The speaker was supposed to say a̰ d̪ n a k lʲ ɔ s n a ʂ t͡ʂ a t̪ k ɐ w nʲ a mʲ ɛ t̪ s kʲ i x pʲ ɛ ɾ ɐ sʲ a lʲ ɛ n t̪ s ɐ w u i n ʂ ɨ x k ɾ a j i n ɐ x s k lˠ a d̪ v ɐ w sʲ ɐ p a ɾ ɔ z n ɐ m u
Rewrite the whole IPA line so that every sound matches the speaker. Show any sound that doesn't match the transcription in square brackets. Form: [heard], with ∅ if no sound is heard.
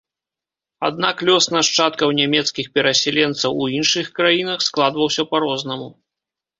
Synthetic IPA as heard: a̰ d̪ n a k lʲ ɔ s n a ʂ t͡ʂ a t̪ k ɐ w nʲ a mʲ ɛ t̪ s kʲ i x pʲ ɛ ɾ ɐ sʲ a lʲ ɛ n t̪ s ɐ w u i n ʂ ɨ x k ɾ a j i n ɐ x s k lˠ a d̪ v ɐ w sʲ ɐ p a ɾ ɔ z n ɐ m u